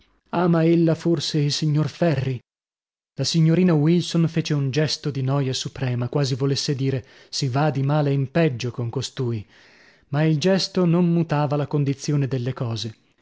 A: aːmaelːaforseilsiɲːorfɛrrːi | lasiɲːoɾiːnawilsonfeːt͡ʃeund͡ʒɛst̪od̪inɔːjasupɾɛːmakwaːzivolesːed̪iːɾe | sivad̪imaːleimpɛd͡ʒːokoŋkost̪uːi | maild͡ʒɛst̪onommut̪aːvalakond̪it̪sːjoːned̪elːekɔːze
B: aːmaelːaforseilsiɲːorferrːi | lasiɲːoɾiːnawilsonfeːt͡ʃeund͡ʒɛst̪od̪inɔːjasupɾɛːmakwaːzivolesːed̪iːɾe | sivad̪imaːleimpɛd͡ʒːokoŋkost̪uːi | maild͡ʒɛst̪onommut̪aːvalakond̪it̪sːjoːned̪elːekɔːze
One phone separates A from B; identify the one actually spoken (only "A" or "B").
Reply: A